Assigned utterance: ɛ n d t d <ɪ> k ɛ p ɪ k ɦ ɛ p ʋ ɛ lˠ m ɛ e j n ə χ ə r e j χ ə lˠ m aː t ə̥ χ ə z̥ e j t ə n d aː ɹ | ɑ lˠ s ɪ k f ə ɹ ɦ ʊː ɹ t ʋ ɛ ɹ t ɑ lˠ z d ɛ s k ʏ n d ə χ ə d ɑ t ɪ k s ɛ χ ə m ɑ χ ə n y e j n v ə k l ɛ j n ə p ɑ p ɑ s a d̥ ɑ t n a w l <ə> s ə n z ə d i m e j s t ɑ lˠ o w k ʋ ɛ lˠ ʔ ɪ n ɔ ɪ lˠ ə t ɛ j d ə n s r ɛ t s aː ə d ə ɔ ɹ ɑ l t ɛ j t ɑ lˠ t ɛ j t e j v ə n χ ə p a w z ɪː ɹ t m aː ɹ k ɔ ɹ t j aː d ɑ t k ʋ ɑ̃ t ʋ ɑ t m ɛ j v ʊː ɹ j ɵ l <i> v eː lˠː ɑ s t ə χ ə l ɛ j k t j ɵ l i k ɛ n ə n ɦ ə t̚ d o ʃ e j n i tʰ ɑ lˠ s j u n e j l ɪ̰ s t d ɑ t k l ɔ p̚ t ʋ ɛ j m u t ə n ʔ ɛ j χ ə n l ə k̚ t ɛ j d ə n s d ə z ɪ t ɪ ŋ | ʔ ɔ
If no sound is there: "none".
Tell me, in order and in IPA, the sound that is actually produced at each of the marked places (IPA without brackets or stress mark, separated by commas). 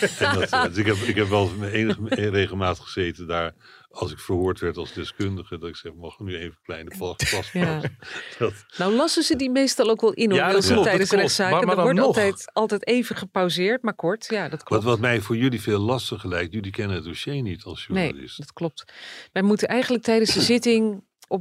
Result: ɪ, ɑ, i